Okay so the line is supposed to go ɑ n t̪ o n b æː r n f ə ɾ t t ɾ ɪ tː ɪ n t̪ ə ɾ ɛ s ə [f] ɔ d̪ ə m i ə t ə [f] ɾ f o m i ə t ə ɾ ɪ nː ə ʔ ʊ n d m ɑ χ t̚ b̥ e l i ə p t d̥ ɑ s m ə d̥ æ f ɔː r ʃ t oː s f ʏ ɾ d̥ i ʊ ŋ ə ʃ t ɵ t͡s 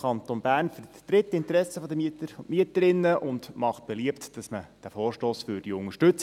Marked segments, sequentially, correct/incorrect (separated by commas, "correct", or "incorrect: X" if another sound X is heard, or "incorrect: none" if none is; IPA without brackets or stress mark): correct, incorrect: none